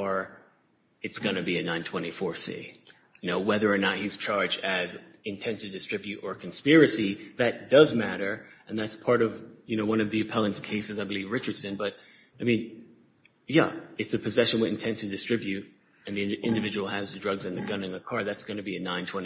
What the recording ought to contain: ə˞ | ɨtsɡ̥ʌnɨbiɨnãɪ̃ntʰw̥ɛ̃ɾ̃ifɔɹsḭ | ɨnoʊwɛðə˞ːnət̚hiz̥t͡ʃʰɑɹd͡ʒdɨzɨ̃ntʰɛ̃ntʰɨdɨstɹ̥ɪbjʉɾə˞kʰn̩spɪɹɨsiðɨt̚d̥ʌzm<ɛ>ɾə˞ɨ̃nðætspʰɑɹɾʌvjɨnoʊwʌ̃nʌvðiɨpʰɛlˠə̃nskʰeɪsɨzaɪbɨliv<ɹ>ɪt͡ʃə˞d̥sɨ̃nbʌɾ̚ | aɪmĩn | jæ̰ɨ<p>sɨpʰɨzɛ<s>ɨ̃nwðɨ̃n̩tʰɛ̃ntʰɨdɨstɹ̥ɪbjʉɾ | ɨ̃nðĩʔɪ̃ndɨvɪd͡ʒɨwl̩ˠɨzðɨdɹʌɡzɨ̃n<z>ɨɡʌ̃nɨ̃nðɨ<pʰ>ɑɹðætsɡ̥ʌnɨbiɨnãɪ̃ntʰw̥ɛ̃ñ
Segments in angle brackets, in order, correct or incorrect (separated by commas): incorrect, correct, incorrect, incorrect, incorrect, incorrect